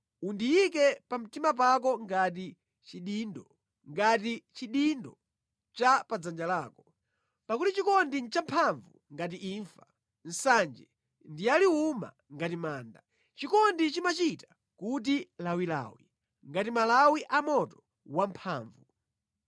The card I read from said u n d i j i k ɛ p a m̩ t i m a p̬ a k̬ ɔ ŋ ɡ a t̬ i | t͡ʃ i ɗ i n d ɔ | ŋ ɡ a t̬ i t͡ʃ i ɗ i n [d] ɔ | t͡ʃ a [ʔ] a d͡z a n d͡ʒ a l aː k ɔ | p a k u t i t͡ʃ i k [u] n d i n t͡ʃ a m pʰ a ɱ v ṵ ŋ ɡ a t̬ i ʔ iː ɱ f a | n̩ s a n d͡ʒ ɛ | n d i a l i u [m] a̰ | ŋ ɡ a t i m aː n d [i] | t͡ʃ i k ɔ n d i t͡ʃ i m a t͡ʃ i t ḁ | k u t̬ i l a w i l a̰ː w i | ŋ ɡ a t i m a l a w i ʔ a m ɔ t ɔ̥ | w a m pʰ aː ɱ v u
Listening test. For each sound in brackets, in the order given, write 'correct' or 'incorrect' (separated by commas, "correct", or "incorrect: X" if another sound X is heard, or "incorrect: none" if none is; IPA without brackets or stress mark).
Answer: correct, incorrect: p, incorrect: ɔ, correct, incorrect: a